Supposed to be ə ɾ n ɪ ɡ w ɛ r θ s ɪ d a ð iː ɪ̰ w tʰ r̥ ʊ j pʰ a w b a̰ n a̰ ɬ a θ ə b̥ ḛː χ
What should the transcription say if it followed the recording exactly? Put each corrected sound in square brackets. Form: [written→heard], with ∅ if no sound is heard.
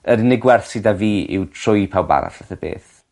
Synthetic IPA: ə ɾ n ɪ ɡ w ɛ r θ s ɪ d a [ð→v] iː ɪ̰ w tʰ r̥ ʊ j pʰ a w b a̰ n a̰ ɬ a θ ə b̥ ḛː [χ→θ]